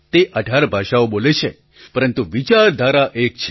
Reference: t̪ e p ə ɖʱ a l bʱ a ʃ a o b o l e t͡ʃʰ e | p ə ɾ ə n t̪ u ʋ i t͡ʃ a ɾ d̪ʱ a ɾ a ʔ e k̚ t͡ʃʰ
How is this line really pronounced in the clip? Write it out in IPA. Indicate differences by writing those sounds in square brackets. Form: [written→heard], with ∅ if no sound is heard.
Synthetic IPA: t̪ e [p→ʔ] ə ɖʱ a [l→ɾ] bʱ a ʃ a o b o l e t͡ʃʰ e | p ə ɾ ə n t̪ u ʋ i t͡ʃ a ɾ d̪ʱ a ɾ a ʔ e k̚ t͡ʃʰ

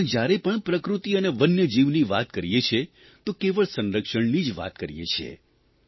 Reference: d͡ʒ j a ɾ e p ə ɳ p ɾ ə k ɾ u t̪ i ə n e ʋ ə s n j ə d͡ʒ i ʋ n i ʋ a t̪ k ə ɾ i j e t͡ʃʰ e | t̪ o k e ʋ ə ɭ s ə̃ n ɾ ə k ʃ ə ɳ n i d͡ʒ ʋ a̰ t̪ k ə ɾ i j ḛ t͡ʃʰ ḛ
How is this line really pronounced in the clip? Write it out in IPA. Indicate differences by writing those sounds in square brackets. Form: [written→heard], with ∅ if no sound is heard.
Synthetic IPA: d͡ʒ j a ɾ e p ə ɳ p ɾ ə k ɾ u t̪ i ə n e ʋ ə [s→∅] n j ə d͡ʒ i ʋ n i ʋ a t̪ k ə ɾ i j e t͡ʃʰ e | t̪ o k e ʋ ə ɭ s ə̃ n ɾ ə k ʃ ə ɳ n i d͡ʒ ʋ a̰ t̪ k ə ɾ i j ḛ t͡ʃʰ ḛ

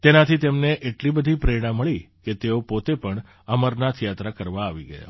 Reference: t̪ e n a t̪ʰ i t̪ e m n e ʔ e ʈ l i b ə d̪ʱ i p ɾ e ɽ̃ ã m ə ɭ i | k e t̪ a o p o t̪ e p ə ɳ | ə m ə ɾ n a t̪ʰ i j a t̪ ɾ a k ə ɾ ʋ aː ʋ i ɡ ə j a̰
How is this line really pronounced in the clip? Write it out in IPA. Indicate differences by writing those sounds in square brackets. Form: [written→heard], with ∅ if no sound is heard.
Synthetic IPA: t̪ e n a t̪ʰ i t̪ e m n e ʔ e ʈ l i b ə d̪ʱ i p ɾ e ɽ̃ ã m ə ɭ i | k e t̪ [a→e] o p o t̪ e p ə ɳ | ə m ə ɾ n a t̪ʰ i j a t̪ ɾ a k ə ɾ ʋ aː ʋ i ɡ ə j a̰

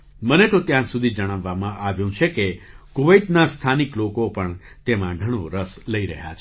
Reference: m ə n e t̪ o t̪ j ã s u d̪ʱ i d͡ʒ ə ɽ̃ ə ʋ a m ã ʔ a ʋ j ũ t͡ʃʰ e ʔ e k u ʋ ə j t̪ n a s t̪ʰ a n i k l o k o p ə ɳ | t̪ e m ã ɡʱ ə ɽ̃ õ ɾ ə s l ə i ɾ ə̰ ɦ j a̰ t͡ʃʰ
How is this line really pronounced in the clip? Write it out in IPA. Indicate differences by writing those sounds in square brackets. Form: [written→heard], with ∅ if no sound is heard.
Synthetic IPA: m ə n e t̪ o t̪ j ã s u d̪ʱ i d͡ʒ ə ɽ̃ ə [ʋ→ʋː] a m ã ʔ a ʋ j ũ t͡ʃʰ e [ʔ→k] e k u ʋ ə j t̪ n a s t̪ʰ a n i k l o k o p ə ɳ | t̪ e m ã ɡʱ ə ɽ̃ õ ɾ ə s l ə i ɾ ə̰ ɦ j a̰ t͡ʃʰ

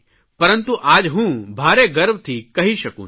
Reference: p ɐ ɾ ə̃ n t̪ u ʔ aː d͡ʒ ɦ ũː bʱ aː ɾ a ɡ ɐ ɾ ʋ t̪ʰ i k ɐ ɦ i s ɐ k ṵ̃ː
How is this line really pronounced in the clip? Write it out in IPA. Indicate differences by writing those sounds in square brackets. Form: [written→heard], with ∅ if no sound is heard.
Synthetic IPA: p ɐ ɾ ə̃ n t̪ u ʔ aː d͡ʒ ɦ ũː bʱ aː ɾ [a→e] ɡ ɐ ɾ ʋ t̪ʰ i k ɐ ɦ i [s→ʃ] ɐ k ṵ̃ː

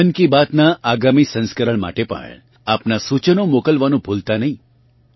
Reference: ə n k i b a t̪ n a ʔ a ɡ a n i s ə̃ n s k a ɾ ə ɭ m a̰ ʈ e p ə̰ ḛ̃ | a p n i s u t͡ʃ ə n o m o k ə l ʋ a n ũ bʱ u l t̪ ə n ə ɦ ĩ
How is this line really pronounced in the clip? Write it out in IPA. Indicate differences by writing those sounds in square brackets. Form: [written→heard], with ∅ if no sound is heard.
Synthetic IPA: ə n k i b a t̪ n a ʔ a ɡ a [n→m] i s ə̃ n s k [a→ə] ɾ ə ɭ m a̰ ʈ e p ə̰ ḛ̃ | a p n [i→a] s u t͡ʃ ə n o m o k ə l ʋ a n ũ bʱ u l t̪ [ə→a] n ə ɦ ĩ

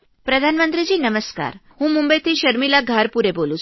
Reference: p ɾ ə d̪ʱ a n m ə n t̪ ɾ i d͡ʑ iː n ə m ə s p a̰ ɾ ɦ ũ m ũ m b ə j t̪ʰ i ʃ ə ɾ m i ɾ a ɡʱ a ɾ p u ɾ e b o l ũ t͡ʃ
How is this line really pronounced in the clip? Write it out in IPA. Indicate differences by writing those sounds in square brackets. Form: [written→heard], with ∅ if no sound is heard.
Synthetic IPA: p ɾ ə d̪ʱ a n m ə n t̪ ɾ i d͡ʑ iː n ə m ə s [p→k] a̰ ɾ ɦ ũ m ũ m b ə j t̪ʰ i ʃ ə ɾ m i [ɾ→l] a ɡʱ a ɾ p u ɾ e b o l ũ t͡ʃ

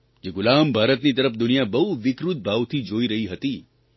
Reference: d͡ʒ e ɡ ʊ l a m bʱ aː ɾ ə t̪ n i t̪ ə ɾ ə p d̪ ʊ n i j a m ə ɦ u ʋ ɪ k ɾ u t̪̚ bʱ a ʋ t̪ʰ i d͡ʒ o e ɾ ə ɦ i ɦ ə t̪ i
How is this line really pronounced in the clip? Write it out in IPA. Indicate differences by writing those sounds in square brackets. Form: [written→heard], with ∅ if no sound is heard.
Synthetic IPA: d͡ʒ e ɡ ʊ l a m bʱ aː ɾ ə t̪ n i t̪ ə ɾ ə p d̪ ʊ n i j a [m→b] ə ɦ u ʋ ɪ k ɾ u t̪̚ bʱ a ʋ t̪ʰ i d͡ʒ o [e→i] ɾ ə ɦ i ɦ ə t̪ i

